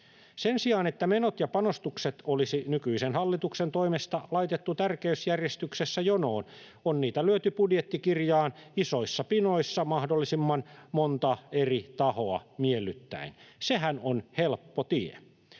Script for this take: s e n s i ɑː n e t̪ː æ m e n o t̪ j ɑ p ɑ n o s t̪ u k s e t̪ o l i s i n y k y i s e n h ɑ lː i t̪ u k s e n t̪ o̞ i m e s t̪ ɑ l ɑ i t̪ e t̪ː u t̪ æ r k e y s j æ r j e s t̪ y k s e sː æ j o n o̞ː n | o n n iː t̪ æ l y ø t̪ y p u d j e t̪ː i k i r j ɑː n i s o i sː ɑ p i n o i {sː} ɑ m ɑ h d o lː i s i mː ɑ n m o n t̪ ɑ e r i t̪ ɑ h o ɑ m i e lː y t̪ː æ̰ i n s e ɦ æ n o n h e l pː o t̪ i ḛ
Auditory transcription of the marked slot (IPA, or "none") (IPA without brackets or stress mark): sː